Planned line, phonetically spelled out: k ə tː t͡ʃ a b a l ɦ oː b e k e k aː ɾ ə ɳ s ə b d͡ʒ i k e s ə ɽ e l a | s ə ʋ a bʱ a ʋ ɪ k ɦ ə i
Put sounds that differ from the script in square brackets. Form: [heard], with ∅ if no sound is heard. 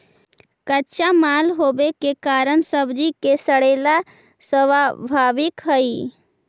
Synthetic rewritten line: k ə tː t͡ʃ a [m] a l ɦ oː b e k e k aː ɾ ə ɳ s ə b d͡ʒ i k e s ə ɽ e l a | s ə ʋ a bʱ a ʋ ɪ k ɦ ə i